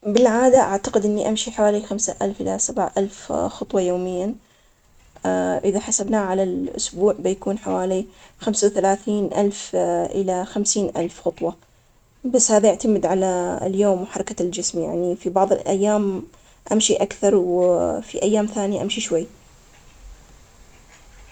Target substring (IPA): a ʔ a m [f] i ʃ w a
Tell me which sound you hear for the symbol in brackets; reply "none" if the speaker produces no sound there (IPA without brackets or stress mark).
ʃ